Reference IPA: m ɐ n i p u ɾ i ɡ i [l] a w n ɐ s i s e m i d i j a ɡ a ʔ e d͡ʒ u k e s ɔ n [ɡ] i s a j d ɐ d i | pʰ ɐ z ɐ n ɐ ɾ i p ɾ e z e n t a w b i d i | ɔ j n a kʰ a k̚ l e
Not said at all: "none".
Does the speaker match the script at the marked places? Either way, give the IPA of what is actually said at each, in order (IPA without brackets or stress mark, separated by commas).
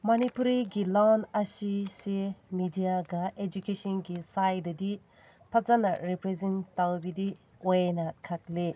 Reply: l, ɡ